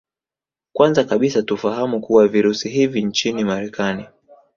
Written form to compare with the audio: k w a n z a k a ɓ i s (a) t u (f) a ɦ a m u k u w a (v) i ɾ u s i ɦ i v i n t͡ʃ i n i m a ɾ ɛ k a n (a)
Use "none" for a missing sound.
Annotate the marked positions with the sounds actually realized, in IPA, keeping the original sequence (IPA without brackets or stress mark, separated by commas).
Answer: a, f, v, i